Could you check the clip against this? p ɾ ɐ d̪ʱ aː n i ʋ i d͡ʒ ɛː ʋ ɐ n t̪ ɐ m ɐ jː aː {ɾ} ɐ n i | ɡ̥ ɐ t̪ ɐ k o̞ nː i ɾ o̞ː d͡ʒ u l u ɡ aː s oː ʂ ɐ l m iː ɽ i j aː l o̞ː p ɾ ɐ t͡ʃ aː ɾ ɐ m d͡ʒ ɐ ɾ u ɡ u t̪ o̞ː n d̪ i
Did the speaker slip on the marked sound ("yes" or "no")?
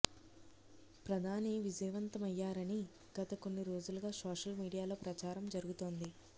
no